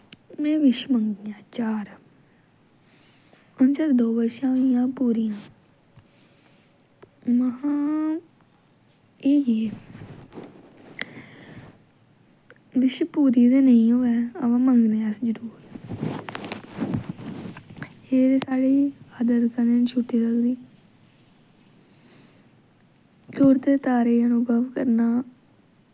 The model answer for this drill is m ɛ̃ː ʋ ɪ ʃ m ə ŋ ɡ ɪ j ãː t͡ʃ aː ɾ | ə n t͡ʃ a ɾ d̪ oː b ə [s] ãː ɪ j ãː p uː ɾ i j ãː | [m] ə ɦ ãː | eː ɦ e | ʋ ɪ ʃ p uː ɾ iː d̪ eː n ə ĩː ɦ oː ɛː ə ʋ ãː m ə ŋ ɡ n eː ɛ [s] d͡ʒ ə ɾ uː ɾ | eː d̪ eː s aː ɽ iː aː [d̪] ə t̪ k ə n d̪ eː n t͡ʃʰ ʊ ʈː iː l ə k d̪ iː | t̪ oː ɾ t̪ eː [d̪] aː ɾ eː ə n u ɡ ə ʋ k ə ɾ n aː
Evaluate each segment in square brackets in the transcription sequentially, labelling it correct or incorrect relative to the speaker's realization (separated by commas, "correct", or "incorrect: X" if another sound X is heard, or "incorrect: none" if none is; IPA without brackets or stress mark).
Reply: incorrect: ʃ, correct, correct, correct, incorrect: t̪